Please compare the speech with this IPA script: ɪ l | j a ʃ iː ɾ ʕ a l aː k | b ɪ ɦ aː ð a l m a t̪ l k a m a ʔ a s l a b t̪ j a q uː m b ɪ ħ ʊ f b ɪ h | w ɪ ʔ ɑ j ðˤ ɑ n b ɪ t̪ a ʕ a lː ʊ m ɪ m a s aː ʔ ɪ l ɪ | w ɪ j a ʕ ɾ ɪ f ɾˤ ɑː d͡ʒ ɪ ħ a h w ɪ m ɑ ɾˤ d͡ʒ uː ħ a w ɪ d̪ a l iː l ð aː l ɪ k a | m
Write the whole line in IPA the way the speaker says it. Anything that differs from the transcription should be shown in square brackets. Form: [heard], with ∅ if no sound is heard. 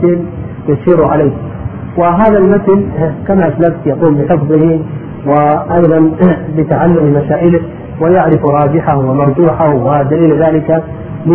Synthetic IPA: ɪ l | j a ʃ iː ɾ ʕ a l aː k | [w] ɪ ɦ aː ð a l m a t̪ l k a m a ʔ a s l a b t̪ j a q uː m b ɪ ħ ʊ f b ɪ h | w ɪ ʔ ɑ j ðˤ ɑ n b ɪ t̪ a ʕ a lː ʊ m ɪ m a s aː ʔ ɪ l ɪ | w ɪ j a ʕ ɾ ɪ f ɾˤ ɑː d͡ʒ ɪ ħ a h w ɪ m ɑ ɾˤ d͡ʒ uː ħ a w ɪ d̪ a l iː l ð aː l ɪ k a | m